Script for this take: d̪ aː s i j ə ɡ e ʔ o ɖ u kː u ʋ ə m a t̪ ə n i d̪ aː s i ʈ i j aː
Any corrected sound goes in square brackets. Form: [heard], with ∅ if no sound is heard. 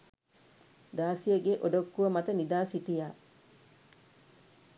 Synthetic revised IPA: d̪ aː s i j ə ɡ e ʔ o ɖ [o] kː u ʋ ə m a t̪ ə n i d̪ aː s i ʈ i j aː